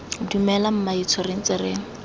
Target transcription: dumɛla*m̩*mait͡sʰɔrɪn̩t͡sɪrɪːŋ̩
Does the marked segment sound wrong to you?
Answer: no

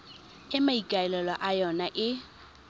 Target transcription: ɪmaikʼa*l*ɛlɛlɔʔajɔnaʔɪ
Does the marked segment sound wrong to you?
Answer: yes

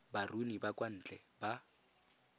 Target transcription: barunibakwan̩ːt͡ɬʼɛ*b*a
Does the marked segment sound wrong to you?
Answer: no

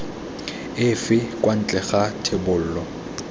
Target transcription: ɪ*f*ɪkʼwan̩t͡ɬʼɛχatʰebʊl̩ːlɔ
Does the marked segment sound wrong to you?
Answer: no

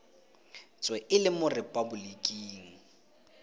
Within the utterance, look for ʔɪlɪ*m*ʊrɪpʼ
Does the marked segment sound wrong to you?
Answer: no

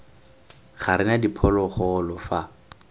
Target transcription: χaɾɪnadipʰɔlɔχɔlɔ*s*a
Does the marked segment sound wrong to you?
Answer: yes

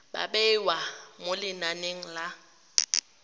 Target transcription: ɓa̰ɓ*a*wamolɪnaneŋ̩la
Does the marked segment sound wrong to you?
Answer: yes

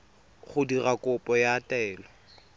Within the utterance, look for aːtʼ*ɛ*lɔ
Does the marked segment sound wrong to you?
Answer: yes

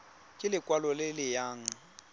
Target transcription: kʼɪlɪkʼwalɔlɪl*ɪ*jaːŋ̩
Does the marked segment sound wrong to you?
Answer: no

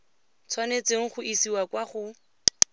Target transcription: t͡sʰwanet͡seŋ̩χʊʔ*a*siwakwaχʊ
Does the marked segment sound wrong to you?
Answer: yes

